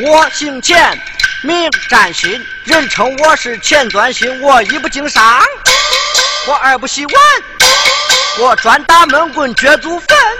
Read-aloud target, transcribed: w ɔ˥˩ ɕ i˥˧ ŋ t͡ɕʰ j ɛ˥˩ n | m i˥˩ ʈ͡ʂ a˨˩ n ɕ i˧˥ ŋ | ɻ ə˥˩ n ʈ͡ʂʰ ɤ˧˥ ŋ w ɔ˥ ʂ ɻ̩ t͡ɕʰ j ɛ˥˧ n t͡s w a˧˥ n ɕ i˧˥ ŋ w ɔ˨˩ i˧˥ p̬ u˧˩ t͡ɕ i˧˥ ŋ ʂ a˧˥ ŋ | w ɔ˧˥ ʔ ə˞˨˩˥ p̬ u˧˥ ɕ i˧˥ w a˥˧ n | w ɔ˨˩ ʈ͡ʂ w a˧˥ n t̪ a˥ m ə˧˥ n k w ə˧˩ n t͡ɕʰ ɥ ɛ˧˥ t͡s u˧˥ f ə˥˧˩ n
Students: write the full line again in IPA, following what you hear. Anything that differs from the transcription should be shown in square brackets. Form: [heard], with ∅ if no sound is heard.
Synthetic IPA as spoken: w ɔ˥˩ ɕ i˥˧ ŋ t͡ɕʰ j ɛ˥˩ n | m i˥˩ ʈ͡ʂ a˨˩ n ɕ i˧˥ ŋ | ɻ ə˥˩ n ʈ͡ʂʰ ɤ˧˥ ŋ w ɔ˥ ʂ ɻ̩ t͡ɕʰ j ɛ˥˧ n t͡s w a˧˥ n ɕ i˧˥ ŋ w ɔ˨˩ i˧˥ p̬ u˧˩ t͡ɕ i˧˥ ŋ ʂ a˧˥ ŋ | w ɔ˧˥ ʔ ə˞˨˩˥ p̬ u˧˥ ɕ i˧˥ w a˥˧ n | w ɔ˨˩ ʈ͡ʂ w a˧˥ n t̪ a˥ m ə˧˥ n k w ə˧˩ n [t͡ɕ] ɥ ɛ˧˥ t͡s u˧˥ f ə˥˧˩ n